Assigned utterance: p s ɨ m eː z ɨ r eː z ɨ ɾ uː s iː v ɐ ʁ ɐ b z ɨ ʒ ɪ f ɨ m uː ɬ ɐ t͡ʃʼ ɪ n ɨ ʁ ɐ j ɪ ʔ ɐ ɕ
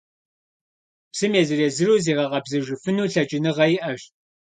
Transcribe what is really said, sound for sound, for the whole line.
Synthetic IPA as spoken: p s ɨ m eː z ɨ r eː z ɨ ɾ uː z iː ʁ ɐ ʁ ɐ b z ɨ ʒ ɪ f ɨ n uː ɬ ɐ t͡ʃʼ ɪ n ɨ ʁ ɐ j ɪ ʔ ɐ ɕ